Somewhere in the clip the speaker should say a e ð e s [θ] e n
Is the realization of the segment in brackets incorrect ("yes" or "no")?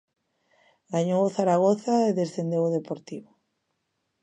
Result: no